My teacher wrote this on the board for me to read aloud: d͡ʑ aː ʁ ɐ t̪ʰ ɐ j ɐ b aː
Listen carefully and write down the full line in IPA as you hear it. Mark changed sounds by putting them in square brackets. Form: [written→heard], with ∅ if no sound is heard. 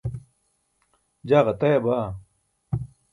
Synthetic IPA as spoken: d͡ʑ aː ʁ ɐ [t̪ʰ→t̪] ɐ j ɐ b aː

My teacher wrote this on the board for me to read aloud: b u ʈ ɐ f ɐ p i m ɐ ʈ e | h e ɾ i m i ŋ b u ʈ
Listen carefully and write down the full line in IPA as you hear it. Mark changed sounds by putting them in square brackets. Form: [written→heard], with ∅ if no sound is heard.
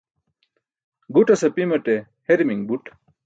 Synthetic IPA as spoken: [b→ɡ] u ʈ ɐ [f→s] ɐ p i m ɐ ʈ e | h e ɾ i m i ŋ b u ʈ

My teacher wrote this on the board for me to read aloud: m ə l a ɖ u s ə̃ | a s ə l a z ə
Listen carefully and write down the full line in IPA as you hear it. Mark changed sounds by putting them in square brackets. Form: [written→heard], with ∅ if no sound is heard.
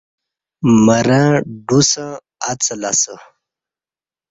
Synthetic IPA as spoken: m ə [l→ɾ] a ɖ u s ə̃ | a [s→t͡s] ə l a [z→s] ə

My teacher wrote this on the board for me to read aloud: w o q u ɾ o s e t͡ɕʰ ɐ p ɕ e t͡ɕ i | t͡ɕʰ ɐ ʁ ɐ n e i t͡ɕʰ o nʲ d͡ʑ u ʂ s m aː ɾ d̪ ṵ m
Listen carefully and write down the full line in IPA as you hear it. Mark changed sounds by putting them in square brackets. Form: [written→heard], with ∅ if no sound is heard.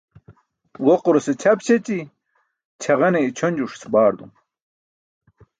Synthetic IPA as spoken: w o q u ɾ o s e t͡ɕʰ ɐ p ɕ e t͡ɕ i | t͡ɕʰ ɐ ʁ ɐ n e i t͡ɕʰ o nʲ d͡ʑ u ʂ s [m→b] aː ɾ d̪ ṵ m

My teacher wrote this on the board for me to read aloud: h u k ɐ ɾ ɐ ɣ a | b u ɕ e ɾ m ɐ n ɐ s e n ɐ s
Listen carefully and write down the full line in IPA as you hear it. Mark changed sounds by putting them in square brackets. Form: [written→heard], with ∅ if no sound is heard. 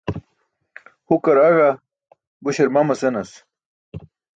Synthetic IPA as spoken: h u k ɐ ɾ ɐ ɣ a | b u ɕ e ɾ m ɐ [n→m] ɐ s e n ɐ s

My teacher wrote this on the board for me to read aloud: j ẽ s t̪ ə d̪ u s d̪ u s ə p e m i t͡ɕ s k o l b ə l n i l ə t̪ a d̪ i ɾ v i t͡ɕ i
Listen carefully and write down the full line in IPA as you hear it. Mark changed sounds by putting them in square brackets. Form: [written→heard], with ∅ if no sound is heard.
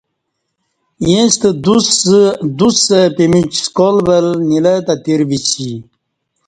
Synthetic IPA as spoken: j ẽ s t̪ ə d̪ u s d̪ u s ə p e m i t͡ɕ s k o l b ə l n i l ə t̪ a [d̪→t̪] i ɾ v i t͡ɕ i

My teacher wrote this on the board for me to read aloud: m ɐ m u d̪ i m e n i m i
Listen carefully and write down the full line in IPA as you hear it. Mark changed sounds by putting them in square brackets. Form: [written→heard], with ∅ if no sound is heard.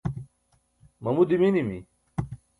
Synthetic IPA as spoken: m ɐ m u d̪ i m [e→i] n i m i

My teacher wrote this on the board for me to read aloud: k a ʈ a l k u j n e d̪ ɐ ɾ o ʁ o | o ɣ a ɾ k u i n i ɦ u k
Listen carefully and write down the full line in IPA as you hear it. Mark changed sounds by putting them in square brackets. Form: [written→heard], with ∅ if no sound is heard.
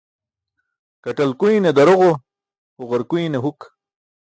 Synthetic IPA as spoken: k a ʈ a l k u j n e d̪ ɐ ɾ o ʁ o | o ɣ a ɾ k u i n [i→e] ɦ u k

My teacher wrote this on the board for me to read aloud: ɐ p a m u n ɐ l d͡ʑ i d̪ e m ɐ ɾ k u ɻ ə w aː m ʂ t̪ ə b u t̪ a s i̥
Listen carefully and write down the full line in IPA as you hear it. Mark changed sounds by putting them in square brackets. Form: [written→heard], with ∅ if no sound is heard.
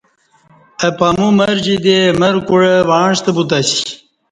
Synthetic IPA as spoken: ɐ p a m u [n→m] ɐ [l→ɾ] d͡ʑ i d̪ e m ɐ ɾ k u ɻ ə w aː [m→ɳ] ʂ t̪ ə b u t̪ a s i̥

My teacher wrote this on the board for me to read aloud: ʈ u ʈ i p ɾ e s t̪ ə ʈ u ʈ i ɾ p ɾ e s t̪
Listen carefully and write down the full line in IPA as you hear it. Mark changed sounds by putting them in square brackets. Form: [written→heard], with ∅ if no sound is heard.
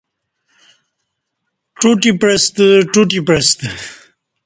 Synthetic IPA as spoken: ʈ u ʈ i p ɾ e s t̪ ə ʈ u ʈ i [ɾ→∅] p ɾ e s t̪

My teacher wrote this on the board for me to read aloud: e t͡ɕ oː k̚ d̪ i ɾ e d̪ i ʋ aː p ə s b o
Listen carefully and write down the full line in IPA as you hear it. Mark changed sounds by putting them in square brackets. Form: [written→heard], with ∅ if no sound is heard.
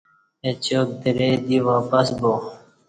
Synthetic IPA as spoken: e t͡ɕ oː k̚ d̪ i ɾ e d̪ i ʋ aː p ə s b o

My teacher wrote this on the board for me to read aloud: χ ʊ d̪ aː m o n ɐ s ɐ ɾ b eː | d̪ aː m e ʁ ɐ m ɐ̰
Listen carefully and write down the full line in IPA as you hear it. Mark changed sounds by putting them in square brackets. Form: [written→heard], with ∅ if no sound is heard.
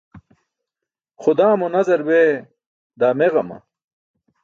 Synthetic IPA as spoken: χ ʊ d̪ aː m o n ɐ [s→z] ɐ ɾ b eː | d̪ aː m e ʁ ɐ m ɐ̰

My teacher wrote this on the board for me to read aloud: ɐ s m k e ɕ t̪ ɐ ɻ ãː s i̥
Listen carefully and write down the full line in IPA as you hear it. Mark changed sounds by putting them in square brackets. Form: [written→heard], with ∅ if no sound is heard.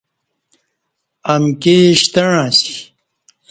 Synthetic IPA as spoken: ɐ [s→∅] m k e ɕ t̪ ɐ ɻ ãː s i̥

